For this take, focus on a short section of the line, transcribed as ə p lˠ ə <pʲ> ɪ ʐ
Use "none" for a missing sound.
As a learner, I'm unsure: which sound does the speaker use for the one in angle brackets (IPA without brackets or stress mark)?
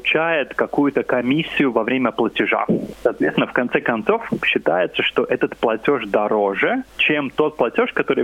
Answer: tʲ